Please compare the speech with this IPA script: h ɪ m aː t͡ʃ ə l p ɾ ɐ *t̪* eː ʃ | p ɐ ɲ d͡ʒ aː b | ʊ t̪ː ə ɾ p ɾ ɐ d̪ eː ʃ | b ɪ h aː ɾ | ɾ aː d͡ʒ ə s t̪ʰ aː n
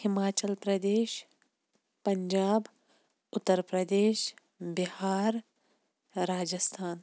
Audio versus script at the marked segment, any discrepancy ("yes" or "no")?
yes